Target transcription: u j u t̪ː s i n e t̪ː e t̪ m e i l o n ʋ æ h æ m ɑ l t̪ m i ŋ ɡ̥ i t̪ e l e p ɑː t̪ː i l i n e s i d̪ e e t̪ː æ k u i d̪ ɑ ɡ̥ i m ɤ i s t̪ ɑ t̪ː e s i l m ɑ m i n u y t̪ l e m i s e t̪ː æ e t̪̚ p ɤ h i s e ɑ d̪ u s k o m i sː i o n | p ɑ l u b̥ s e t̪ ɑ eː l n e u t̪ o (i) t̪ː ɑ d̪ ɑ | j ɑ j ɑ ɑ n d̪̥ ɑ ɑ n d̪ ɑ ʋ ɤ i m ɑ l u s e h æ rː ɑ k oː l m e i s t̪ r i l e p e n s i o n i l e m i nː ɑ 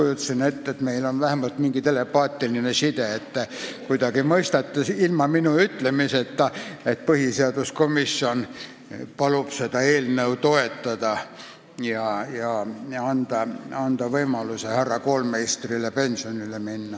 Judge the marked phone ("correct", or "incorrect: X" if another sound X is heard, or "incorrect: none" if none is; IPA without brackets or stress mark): incorrect: e